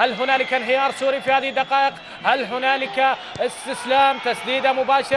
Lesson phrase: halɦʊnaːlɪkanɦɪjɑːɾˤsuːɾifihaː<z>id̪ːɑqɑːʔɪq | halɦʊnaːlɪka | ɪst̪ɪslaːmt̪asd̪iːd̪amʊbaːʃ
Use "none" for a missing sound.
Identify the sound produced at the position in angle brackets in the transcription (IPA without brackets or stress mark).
ð